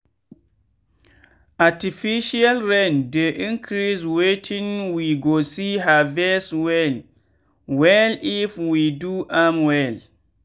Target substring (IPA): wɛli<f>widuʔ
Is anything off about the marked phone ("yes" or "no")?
no